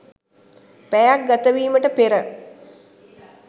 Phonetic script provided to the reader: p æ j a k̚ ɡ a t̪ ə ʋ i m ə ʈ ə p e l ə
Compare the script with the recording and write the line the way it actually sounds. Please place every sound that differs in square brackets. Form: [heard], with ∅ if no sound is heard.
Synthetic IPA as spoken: p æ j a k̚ ɡ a t̪ ə ʋ [iː] m ə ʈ ə p e [ɾ] ə